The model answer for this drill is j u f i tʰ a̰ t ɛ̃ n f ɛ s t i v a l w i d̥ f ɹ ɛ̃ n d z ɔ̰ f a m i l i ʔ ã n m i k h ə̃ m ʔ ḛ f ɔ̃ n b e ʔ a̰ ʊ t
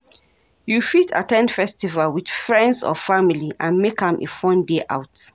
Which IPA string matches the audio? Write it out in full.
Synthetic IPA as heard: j u f i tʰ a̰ t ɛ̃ n f ɛ s t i v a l w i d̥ f ɹ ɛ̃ n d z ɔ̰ f a m i l i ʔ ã n m e k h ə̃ m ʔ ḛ f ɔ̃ n d e ʔ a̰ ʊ t